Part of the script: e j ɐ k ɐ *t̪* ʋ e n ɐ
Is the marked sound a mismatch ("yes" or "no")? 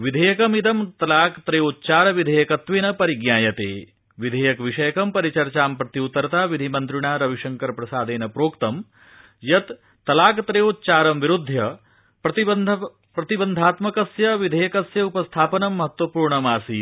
no